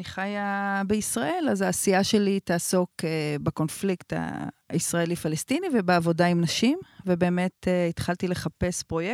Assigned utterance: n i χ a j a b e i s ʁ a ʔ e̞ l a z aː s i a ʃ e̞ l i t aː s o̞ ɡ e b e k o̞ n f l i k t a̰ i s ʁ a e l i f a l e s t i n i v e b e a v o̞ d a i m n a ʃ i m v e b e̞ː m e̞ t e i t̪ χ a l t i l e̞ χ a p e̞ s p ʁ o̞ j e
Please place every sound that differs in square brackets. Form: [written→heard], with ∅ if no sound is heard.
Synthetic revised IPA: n i χ a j a b e i s ʁ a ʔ e̞ l a z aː s i a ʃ e̞ l i t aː s o̞ [ɡ→k] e b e k o̞ n f l i k t a̰ i s ʁ a e l i f a l e s t i n i v e b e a v o̞ d a i m n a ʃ i m v e b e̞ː m e̞ t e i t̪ χ a l t i l e̞ χ a p e̞ s p ʁ o̞ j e